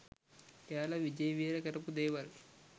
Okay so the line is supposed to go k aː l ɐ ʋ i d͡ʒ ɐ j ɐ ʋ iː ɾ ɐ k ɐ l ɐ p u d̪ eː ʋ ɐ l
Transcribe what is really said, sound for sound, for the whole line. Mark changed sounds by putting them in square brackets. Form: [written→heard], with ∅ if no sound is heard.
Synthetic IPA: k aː l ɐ ʋ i d͡ʒ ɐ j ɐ ʋ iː ɾ ɐ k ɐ [l→ɾ] ɐ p u d̪ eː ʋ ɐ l